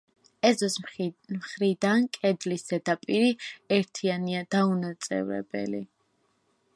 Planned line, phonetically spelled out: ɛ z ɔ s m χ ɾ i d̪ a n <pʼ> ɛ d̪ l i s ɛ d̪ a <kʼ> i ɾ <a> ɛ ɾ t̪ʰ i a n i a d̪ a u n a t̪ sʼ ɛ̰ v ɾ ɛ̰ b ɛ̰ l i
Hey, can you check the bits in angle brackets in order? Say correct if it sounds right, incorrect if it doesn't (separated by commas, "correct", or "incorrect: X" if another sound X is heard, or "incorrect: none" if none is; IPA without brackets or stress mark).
incorrect: kʼ, incorrect: pʼ, incorrect: i